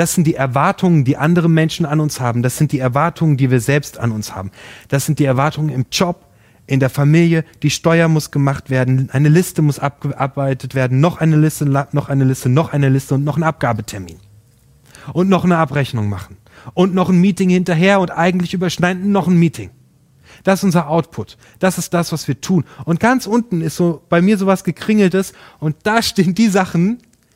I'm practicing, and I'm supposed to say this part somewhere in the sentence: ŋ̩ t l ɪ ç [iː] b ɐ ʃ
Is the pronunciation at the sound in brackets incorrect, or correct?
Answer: incorrect